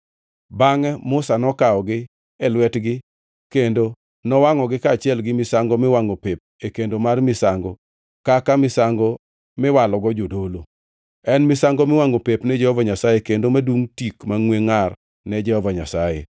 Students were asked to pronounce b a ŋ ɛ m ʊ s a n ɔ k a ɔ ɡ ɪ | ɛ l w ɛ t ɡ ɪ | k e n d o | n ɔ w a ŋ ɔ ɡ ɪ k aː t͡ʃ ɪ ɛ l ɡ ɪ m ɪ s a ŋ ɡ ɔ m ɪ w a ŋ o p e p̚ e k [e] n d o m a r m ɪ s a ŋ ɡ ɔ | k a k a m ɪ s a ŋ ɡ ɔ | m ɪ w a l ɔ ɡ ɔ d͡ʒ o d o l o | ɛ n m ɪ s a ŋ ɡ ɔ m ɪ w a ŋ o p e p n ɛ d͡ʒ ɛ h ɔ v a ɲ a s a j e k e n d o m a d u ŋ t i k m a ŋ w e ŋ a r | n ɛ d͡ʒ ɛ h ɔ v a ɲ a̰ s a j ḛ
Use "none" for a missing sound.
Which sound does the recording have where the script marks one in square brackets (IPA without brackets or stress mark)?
e